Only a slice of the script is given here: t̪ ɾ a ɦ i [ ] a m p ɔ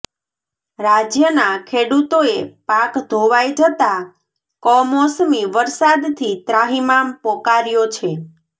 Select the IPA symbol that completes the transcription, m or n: m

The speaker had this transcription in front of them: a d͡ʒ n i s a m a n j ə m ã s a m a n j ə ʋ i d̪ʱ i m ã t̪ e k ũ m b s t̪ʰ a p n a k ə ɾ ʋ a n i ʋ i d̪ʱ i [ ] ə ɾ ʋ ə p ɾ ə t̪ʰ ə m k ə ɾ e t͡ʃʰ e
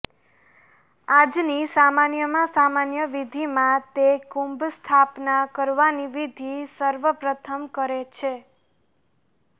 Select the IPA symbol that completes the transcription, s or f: s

